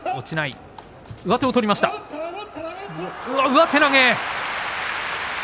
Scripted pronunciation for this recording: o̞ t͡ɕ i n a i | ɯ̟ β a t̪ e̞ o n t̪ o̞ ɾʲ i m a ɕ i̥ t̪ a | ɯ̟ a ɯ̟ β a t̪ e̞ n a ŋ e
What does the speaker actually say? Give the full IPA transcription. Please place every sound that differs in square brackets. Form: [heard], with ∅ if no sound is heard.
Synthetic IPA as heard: o̞ t͡ɕ i n a i | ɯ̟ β a t̪ e̞ o [∅] t̪ o̞ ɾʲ i m a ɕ i̥ t̪ a | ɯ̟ a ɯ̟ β a t̪ e̞ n a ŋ e